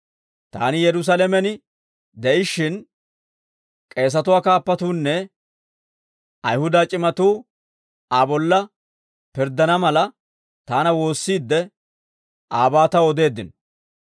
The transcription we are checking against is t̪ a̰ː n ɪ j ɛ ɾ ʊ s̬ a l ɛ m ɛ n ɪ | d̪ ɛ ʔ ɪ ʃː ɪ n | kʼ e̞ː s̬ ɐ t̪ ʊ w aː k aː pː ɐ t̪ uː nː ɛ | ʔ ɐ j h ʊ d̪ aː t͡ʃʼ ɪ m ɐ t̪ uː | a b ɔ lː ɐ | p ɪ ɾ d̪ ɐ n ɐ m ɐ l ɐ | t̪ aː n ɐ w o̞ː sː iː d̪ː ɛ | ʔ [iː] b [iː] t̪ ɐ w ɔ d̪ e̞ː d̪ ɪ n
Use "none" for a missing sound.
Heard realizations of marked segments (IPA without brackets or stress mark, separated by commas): aː, aː